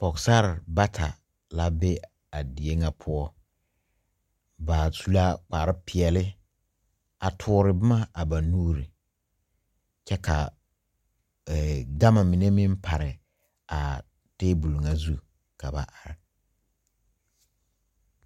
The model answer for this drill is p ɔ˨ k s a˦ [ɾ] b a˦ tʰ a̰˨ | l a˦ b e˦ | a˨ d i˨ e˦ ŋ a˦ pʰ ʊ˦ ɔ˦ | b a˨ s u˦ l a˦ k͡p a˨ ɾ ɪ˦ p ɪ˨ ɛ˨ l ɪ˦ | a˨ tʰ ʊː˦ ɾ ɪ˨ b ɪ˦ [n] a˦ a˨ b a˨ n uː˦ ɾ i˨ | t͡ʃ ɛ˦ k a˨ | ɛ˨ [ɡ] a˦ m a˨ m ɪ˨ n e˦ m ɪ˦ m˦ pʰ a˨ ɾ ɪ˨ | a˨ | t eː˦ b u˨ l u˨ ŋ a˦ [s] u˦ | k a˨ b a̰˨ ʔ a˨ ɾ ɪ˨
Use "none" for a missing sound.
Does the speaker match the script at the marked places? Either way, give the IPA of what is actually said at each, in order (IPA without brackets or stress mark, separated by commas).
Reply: ɾ, m, ɡ, z